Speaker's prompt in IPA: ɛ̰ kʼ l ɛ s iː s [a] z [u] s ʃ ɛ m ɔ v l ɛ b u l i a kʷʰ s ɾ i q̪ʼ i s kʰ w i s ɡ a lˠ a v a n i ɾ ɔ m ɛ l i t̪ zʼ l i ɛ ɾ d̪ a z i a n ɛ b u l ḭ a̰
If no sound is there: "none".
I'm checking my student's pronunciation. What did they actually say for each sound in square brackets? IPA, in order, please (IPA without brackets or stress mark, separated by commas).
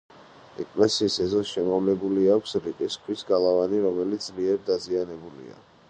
ɛ, ɔ